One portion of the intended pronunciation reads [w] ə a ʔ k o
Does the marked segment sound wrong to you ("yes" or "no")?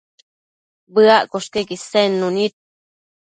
yes